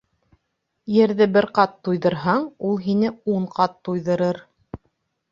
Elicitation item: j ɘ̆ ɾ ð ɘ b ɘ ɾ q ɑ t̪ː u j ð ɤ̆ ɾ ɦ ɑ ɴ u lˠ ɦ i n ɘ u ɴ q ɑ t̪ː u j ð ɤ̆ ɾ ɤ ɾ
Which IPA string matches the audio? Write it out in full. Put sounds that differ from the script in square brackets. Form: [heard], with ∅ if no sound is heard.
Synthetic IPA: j ɘ̆ ɾ ð ɘ b ɘ ɾ q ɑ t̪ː u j ð ɤ̆ ɾ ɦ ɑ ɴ u lˠ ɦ i n ɘ u ɴ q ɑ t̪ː u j ð ɤ̆ ɾ ɤ ɾ

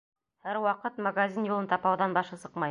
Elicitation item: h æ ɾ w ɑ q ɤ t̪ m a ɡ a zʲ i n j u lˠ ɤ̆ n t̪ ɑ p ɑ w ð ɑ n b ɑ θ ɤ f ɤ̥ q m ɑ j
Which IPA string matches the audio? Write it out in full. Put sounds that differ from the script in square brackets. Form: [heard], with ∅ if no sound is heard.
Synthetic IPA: h æ ɾ w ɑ q ɤ t̪ m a ɡ a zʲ i n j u lˠ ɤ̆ n t̪ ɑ p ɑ w ð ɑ n b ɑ [ʃ] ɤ [s] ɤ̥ q m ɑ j

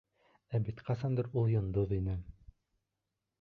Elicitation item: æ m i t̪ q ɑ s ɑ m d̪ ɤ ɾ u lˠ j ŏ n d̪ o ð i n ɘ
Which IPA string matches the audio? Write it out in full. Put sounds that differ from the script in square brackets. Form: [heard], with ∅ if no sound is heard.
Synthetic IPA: æ [b] i t̪ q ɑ s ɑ [n] d̪ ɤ ɾ u lˠ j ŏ n d̪ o ð i n ɘ

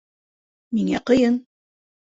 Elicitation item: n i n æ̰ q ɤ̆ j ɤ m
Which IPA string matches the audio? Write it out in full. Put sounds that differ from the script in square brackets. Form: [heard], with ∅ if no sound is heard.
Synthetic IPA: [m] i [ŋ] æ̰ q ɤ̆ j ɤ [n]

